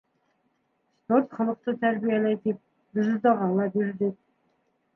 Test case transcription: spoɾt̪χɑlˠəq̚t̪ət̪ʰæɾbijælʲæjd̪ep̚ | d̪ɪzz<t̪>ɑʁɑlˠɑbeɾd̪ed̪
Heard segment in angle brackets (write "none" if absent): d̪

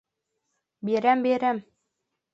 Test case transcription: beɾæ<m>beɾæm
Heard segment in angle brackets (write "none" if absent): m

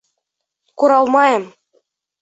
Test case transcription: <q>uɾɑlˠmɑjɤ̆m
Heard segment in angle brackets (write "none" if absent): k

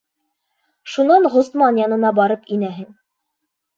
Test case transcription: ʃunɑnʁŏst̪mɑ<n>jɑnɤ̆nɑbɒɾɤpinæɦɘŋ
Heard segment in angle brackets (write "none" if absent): n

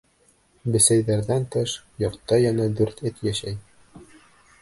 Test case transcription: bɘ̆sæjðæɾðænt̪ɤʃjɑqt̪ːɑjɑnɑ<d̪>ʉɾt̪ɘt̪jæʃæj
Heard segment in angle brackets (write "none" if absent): d̪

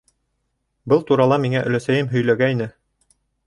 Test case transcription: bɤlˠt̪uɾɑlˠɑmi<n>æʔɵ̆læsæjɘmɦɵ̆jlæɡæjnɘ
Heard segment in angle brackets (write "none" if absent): ŋ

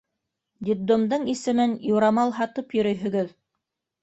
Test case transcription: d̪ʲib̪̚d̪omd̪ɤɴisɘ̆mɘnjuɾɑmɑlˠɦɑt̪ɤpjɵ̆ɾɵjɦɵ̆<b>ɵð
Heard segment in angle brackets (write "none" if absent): ɡ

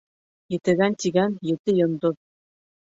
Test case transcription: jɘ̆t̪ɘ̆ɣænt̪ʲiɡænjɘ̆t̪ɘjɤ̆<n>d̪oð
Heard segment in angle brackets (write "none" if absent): n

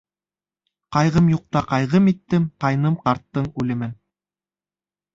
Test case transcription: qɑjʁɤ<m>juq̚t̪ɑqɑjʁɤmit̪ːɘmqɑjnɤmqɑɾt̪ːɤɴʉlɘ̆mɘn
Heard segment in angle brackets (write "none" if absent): m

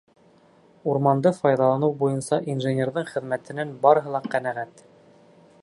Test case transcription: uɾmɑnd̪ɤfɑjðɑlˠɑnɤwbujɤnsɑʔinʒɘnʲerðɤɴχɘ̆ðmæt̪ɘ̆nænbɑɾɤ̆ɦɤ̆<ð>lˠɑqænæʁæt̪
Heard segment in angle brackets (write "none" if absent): none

